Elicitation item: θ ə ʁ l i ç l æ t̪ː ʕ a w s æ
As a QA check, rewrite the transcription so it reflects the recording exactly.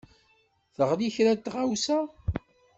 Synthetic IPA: θ ə ʁ l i ç ɾ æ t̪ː ʁ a w s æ